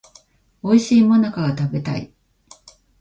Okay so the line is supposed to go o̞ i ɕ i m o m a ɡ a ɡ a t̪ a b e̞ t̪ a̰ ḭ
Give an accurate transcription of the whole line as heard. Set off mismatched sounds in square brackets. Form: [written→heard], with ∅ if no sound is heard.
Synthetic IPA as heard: o̞ i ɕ [i→iː] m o [m→n] a [ɡ→k] a ɡ a t̪ a b e̞ t̪ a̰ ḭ